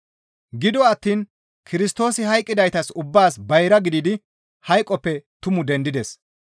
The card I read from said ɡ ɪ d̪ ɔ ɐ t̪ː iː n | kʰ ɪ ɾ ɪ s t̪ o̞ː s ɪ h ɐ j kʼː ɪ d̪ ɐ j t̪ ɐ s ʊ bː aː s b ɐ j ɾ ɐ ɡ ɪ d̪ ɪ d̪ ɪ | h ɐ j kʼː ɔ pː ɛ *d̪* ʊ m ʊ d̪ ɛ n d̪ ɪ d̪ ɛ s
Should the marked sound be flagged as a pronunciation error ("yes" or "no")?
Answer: yes